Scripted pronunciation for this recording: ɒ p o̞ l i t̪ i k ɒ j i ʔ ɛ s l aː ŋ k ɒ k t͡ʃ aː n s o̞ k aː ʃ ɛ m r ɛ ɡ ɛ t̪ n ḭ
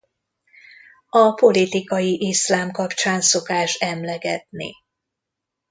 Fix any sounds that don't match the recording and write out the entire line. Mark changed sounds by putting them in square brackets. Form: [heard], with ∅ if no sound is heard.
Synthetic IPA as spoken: ɒ p o̞ l i t̪ i k ɒ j i ʔ [i] s l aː [m] k ɒ [p] t͡ʃ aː n s o̞ k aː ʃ ɛ m [l] ɛ ɡ ɛ t̪ n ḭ